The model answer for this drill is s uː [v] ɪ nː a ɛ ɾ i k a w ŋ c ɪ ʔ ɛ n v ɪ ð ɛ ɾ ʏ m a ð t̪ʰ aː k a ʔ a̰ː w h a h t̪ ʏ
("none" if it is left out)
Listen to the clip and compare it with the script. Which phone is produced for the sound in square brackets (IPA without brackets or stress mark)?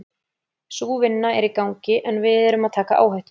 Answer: v